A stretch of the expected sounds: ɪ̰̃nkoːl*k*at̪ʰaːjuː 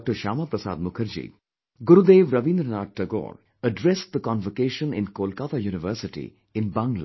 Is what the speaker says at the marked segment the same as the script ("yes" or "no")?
yes